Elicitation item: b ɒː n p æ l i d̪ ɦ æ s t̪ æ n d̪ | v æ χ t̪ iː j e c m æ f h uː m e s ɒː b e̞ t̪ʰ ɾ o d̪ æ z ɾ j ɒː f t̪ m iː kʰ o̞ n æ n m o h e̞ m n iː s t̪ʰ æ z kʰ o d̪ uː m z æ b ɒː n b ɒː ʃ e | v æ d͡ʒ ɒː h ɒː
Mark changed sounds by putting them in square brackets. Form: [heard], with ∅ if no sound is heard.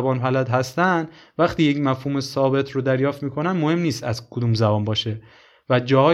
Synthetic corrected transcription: b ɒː n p æ l [æ] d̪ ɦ æ s t̪ æ n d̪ | v æ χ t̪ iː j e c m æ f h uː m e s ɒː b e̞ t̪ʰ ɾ o d̪ æ [∅] ɾ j ɒː f t̪ m iː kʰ o̞ n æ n m o h e̞ m n iː s [t̪] æ z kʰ o d̪ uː m z æ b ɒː n b ɒː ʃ e | v æ d͡ʒ ɒː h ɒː